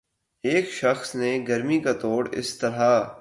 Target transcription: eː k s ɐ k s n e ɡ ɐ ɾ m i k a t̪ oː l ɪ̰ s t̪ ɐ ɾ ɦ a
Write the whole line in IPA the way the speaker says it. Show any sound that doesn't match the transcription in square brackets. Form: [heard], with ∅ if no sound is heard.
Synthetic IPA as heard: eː k [ʃ] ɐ [x] s n e ɡ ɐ ɾ m i k a t̪ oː [ɽ] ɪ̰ s t̪ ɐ ɾ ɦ a